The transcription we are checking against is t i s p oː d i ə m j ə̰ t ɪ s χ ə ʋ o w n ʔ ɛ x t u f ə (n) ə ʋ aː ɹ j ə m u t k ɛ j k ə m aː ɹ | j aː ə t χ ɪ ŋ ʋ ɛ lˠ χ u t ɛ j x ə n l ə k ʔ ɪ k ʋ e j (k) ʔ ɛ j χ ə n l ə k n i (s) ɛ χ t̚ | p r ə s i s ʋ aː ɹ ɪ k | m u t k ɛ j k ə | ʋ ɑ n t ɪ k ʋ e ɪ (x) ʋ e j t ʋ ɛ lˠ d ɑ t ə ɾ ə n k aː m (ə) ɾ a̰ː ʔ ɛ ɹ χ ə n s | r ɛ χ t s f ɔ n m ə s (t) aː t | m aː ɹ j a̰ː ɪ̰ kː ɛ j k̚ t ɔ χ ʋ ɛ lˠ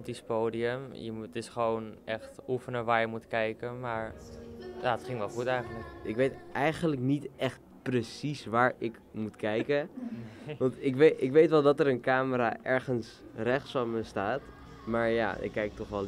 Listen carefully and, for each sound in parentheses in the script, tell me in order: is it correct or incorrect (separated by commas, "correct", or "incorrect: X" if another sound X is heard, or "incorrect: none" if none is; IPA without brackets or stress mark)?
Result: correct, incorrect: t, incorrect: t, incorrect: k, correct, correct